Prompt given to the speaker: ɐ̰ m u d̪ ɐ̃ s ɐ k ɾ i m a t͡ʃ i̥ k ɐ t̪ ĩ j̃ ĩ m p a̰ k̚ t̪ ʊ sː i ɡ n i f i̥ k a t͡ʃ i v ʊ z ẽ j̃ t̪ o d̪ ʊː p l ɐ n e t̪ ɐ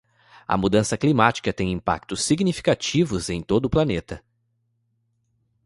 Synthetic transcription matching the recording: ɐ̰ m u d̪ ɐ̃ s ɐ k l i m a t͡ʃ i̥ k ɐ t̪ ẽ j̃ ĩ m p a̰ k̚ t̪ ʊ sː i ɡ n i f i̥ k a t͡ʃ i v ʊ z ẽ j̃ t̪ o d̪ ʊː p l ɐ n e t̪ ɐ